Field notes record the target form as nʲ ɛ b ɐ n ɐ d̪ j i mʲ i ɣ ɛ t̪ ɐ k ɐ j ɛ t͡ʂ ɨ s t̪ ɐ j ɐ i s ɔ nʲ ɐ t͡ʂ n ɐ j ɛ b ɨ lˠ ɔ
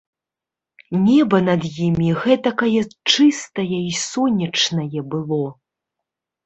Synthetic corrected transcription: nʲ ɛ b ɐ n ɐ d̪ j i mʲ i ɣ ɛ t̪ ɐ k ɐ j ɛ t͡ʂ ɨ s t̪ ɐ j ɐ i s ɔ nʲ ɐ t͡ʂ n ɐ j ɛ b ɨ lˠ ɔ